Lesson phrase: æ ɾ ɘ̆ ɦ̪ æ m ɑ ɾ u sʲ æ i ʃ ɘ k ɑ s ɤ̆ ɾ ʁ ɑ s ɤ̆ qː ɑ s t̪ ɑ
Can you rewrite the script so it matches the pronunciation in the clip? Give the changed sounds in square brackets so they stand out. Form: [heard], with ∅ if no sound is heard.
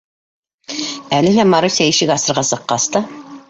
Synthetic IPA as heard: æ [l] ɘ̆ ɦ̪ æ m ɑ ɾ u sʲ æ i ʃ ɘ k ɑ s ɤ̆ ɾ ʁ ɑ s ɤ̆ qː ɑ s t̪ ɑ